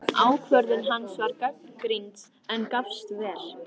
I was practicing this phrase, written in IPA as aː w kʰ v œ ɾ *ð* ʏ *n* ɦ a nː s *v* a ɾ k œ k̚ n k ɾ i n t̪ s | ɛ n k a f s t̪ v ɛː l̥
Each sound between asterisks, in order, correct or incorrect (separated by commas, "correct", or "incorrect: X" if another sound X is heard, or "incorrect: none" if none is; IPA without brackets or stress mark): correct, correct, correct